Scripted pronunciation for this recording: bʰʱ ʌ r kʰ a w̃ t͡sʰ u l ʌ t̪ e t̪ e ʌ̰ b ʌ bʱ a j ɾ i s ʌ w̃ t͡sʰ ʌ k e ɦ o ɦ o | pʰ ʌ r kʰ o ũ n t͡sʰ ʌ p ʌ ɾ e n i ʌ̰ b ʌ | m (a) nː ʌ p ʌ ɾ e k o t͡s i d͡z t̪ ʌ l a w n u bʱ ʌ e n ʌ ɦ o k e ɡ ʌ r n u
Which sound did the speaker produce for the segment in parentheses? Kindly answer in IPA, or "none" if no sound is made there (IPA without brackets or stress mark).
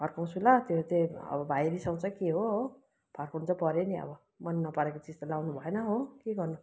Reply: ʌ